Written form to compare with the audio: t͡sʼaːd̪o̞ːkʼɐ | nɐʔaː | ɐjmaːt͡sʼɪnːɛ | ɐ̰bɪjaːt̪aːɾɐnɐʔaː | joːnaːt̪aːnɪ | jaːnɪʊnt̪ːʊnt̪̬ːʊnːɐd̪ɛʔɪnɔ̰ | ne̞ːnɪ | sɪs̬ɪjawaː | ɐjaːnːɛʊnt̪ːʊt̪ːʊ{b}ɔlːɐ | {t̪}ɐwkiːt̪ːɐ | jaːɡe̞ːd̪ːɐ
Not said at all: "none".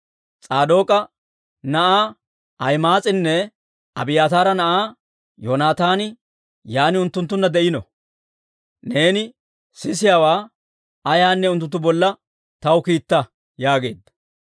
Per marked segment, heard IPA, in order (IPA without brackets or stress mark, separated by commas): b, t̪